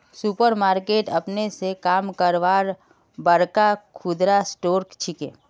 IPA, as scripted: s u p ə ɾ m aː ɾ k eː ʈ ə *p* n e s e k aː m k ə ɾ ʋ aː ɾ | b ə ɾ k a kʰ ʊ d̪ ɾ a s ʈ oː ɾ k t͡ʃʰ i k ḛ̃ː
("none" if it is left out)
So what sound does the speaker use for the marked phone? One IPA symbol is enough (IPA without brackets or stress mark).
p